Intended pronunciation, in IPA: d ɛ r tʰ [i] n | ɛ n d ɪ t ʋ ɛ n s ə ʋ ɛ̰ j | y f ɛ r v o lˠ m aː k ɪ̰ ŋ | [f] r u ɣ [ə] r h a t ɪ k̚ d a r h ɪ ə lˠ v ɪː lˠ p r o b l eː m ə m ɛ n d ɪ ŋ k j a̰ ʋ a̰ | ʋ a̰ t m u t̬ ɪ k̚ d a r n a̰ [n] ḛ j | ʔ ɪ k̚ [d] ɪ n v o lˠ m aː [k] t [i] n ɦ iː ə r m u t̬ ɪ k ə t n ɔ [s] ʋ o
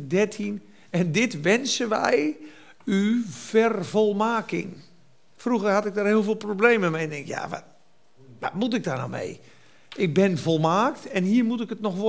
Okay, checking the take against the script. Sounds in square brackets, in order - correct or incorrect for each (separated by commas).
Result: correct, correct, correct, incorrect, incorrect, correct, incorrect, incorrect